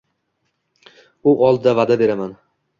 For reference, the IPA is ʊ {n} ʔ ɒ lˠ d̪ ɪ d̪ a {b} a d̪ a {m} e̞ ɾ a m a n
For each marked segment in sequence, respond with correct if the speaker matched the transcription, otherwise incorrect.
incorrect: none, incorrect: v, incorrect: b

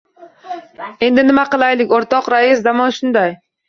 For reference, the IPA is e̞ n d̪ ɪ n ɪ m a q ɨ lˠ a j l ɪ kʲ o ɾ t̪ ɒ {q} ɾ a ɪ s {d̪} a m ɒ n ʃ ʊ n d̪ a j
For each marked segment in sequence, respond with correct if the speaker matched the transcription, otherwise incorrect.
correct, correct

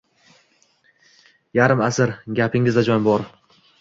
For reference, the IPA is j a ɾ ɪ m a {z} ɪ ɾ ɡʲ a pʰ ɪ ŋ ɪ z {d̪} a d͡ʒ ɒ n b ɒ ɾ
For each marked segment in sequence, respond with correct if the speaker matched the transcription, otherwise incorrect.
incorrect: s, correct

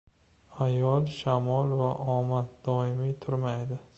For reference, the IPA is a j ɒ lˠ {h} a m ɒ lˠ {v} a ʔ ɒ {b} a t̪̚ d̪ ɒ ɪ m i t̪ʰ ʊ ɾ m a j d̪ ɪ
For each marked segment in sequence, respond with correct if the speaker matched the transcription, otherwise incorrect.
incorrect: ʃ, correct, incorrect: m

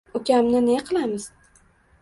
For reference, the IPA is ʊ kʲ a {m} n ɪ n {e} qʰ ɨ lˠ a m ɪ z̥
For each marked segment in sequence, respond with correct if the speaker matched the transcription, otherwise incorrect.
correct, correct

